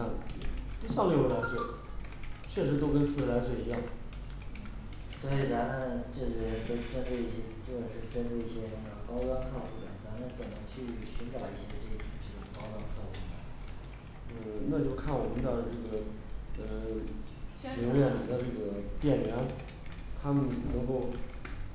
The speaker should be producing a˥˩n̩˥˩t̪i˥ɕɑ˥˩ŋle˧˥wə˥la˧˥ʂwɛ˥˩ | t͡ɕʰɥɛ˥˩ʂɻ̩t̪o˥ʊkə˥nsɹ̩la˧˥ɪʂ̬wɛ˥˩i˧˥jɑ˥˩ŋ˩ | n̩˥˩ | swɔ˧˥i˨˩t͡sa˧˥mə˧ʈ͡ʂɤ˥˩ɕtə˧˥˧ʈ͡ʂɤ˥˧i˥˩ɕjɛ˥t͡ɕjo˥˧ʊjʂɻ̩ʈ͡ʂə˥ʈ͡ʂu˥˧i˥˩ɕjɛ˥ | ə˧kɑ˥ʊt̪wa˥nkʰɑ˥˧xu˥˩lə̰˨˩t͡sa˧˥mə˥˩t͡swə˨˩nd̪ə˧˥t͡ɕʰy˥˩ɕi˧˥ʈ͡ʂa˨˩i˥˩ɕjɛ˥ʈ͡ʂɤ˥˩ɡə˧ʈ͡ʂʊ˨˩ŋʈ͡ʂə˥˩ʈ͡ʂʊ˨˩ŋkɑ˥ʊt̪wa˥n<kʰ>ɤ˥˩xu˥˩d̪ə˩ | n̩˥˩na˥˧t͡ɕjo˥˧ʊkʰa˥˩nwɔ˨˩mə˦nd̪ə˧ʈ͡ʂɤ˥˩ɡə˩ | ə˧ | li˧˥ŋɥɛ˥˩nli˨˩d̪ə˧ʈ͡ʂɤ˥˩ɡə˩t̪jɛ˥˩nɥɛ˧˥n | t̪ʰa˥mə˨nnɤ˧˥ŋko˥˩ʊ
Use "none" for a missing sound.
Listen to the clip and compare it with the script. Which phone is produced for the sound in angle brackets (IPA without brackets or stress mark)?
kʰ